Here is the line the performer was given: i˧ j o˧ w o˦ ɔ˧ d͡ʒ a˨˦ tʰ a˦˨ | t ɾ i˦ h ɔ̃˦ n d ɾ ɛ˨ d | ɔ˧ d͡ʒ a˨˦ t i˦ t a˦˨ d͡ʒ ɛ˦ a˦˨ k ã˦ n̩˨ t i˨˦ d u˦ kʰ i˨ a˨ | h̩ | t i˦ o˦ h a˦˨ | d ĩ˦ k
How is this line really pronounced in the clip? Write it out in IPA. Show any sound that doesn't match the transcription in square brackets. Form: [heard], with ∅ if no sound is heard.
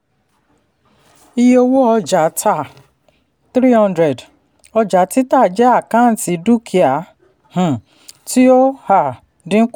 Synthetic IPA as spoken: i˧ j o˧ w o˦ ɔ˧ d͡ʒ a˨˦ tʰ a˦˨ | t ɾ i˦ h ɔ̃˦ n d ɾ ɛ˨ d | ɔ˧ d͡ʒ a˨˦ t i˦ t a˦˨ d͡ʒ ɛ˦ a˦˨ k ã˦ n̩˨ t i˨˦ d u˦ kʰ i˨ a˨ | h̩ | t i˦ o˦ h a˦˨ | d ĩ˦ k